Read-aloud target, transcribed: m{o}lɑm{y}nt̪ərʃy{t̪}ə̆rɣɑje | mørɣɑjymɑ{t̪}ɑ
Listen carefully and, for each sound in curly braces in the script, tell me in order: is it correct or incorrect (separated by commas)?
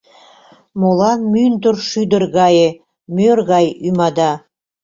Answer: correct, correct, incorrect, incorrect